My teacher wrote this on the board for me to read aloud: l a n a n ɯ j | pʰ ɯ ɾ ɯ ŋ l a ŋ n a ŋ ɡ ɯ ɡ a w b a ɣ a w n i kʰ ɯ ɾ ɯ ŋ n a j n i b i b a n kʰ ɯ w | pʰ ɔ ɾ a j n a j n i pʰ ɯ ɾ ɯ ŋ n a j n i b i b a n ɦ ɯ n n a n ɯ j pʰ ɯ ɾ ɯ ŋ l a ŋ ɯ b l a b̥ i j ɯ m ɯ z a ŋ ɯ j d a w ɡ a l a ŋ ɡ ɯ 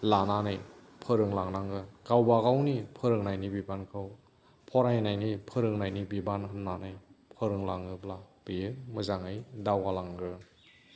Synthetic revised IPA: l a n a n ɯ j | pʰ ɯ ɾ ɯ ŋ l a ŋ n a ŋ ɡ ɯ ɡ a w b a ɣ a w n i pʰ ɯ ɾ ɯ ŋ n a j n i b i b a n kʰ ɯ w | pʰ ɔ ɾ a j n a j n i pʰ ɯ ɾ ɯ ŋ n a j n i b i b a n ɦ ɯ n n a n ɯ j pʰ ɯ ɾ ɯ ŋ l a ŋ ɯ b l a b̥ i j ɯ m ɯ z a ŋ ɯ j d a w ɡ a l a ŋ ɡ ɯ